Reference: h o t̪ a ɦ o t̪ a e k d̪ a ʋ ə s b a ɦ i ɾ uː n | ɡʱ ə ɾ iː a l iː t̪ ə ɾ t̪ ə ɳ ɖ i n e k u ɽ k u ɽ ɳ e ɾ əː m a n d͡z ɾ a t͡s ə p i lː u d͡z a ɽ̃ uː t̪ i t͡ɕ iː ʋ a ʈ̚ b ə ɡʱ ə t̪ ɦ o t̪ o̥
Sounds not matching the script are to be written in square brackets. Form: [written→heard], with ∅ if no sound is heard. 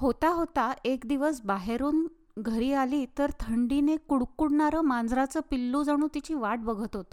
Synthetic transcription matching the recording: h o t̪ a ɦ o t̪ a e k d̪ [a→i] ʋ ə s b a ɦ [i→e] ɾ uː n | ɡʱ ə ɾ iː a l iː t̪ ə ɾ [t̪→t̪ʰ] ə ɳ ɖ i n e k u ɽ k u ɽ ɳ [e→a] ɾ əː m a n d͡z ɾ a t͡s ə p i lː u d͡z a ɽ̃ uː t̪ i t͡ɕ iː ʋ a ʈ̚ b ə ɡʱ ə t̪ ɦ o t̪ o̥